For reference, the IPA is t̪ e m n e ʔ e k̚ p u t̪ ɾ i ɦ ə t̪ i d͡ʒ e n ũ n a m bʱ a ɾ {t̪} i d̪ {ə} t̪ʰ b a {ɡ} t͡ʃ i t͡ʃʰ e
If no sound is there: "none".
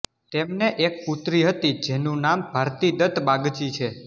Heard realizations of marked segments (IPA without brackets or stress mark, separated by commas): t̪, ə, ɡ